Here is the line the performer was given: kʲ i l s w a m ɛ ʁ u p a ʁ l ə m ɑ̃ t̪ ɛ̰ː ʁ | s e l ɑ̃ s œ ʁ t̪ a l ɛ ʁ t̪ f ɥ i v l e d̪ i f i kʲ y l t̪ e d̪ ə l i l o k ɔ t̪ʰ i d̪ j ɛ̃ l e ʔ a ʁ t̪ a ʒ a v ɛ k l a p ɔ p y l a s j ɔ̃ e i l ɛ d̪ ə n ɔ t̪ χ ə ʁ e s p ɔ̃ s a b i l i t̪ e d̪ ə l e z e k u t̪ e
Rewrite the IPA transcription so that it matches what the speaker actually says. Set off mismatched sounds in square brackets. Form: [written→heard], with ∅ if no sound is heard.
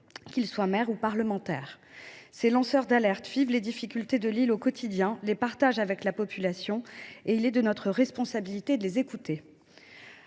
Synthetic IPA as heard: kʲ i l s w a m ɛ ʁ u p a ʁ l ə m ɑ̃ t̪ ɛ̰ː ʁ | s e l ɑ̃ s œ ʁ [t̪→d̪] a l ɛ ʁ t̪ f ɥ i v l e d̪ i f i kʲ y l t̪ e d̪ ə l i l o k ɔ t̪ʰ i d̪ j ɛ̃ l e [ʔ→p] a ʁ t̪ a ʒ a v ɛ k l a p ɔ p y l a s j ɔ̃ e i l ɛ d̪ ə n ɔ t̪ χ ə ʁ [e→ɛ] s p ɔ̃ s a b i l i t̪ e d̪ ə l e z e k u t̪ e

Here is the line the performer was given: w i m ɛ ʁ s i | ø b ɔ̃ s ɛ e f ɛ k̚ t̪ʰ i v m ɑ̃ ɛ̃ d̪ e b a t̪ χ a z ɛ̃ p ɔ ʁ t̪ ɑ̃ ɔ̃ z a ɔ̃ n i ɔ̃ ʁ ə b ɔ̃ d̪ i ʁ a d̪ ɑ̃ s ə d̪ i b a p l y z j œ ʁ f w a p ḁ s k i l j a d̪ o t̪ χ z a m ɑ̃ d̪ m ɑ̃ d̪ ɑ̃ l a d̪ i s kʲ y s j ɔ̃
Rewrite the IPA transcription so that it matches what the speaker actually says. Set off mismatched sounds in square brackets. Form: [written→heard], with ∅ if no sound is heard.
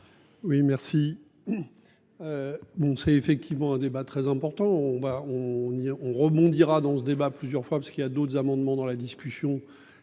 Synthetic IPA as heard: w i m ɛ ʁ s i | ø b ɔ̃ s ɛ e f ɛ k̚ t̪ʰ i v m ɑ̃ ɛ̃ d̪ e b a t̪ χ [a→ɛ] z ɛ̃ p ɔ ʁ t̪ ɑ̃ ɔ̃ [z→v] a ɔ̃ n i ɔ̃ ʁ ə b ɔ̃ d̪ i ʁ a d̪ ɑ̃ s ə d̪ [i→e] b a p l y z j œ ʁ f w a p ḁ s k i l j a d̪ o t̪ χ z a m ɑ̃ d̪ m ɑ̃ d̪ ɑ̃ l a d̪ i s kʲ y s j ɔ̃

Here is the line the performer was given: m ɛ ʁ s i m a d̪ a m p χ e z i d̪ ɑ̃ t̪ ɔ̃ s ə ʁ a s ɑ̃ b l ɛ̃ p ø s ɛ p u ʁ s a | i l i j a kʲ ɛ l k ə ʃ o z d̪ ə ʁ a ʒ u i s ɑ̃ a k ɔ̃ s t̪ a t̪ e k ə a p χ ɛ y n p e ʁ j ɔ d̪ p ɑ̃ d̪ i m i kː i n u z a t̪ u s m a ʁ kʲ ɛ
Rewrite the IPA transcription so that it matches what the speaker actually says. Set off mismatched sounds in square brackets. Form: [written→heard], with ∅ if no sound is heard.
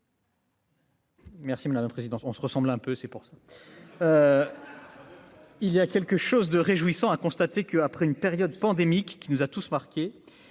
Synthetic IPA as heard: m ɛ ʁ s i m a d̪ a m p χ e z i d̪ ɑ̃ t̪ ɔ̃ s ə ʁ [a→ə] s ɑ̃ b l ɛ̃ p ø s ɛ p u ʁ s a | i l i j a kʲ ɛ l k ə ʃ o z d̪ ə ʁ [a→e] ʒ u i s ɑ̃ a k ɔ̃ s t̪ a t̪ e k ə a p χ ɛ y n p e ʁ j ɔ d̪ p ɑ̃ d̪ [i→e] m i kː i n u z a t̪ u s m a ʁ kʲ [ɛ→e]

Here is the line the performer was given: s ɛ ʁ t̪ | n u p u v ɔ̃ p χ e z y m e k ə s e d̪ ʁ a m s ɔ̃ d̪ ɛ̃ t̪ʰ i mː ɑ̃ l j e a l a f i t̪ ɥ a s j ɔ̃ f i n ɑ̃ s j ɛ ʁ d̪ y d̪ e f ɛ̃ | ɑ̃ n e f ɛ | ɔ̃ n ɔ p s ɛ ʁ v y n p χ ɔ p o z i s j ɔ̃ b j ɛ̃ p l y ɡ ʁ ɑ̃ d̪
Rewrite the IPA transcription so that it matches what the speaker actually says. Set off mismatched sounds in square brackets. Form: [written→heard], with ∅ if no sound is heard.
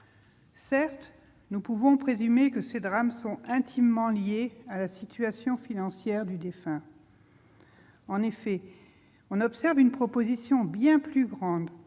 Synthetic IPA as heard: s ɛ ʁ t̪ | n u p u v ɔ̃ p χ e z y m e k ə s e d̪ ʁ a m s ɔ̃ [d̪→∅] ɛ̃ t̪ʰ i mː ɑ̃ l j e a l a [f→s] i t̪ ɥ a s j ɔ̃ f i n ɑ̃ s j ɛ ʁ d̪ y d̪ e f ɛ̃ | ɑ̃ n e f ɛ | ɔ̃ n ɔ p s ɛ ʁ v y n p χ ɔ p o z i s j ɔ̃ b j ɛ̃ p l y ɡ ʁ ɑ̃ d̪

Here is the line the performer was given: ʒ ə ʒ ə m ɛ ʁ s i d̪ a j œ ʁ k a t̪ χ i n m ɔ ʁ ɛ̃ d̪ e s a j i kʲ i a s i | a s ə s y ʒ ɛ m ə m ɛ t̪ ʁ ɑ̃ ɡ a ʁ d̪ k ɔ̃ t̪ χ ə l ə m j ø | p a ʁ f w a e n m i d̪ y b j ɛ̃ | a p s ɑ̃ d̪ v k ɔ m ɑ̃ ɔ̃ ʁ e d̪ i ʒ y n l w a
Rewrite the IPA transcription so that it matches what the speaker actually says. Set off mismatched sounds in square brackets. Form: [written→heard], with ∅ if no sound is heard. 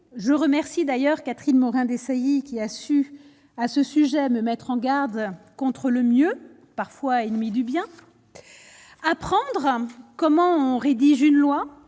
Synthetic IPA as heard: ʒ ə [ʒ→ʁ] ə m ɛ ʁ s i d̪ a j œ ʁ k a t̪ χ i n m ɔ ʁ ɛ̃ d̪ e s a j i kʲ i a s [i→y] | a s ə s y ʒ ɛ m ə m ɛ t̪ [ʁ→χ] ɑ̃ ɡ a ʁ d̪ k ɔ̃ t̪ χ ə l ə m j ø | p a ʁ f w a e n m i d̪ y b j ɛ̃ | a p [s→χ] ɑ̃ d̪ [v→ʁ] k ɔ m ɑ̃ ɔ̃ ʁ e d̪ i ʒ y n l w a

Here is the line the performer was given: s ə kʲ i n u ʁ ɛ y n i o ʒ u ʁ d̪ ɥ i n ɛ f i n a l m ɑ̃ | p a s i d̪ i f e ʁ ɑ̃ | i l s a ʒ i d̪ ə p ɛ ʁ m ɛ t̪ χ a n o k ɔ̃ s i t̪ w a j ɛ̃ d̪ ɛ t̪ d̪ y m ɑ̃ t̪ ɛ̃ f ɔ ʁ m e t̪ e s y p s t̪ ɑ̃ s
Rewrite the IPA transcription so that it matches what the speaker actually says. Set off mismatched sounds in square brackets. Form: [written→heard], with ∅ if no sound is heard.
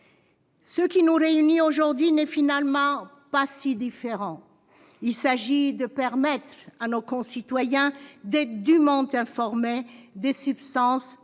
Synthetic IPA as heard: s ə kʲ i n u ʁ [ɛ→e] y n i o ʒ u ʁ d̪ ɥ i n ɛ f i n a l m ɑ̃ | p a s i d̪ i f e ʁ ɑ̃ | i l s a ʒ i d̪ ə p ɛ ʁ m ɛ t̪ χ a n o k ɔ̃ s i t̪ w a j ɛ̃ d̪ ɛ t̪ d̪ y m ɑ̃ t̪ ɛ̃ f ɔ ʁ m e [t̪→d̪] e s y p s t̪ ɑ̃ s

